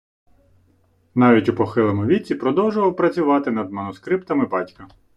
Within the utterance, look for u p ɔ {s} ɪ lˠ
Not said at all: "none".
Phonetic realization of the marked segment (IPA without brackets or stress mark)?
x